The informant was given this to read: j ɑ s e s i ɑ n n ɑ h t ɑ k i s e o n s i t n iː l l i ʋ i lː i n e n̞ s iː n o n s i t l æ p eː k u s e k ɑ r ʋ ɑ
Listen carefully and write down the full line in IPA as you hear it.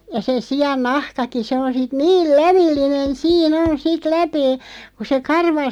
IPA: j ɑ s e s i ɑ n n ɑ h k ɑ k i s e o n s i t n iː l l æ ʋ i lː i n e n̞ s iː n o n s i t l æ p eː k u s e k ɑ r ʋ ɑ